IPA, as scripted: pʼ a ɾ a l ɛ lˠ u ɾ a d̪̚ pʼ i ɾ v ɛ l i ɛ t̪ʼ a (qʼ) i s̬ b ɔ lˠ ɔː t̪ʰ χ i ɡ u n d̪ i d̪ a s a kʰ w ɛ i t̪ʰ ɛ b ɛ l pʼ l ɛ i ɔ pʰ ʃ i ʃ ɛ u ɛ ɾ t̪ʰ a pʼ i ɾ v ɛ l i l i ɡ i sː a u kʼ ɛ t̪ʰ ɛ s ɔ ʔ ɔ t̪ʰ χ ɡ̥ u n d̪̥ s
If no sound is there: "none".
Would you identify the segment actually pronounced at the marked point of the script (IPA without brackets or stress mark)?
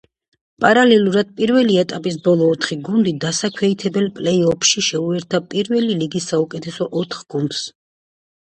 pʼ